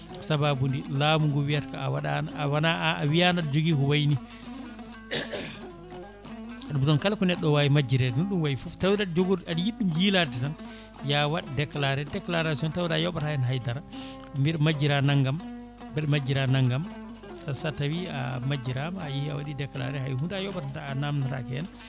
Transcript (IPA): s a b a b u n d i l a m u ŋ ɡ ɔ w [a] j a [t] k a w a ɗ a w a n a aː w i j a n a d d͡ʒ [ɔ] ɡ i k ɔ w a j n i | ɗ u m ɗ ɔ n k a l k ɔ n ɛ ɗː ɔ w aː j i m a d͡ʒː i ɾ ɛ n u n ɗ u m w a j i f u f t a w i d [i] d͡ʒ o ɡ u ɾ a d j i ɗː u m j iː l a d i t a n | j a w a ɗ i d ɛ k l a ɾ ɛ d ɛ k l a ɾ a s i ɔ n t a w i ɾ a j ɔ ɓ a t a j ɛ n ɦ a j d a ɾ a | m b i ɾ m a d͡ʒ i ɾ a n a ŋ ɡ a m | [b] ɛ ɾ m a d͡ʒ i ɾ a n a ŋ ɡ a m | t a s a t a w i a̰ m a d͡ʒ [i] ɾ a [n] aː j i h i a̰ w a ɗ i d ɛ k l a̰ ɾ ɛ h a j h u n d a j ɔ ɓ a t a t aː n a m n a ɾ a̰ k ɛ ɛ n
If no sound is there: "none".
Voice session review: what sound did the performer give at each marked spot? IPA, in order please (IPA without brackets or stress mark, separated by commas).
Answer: i, t, o, a, b, i, m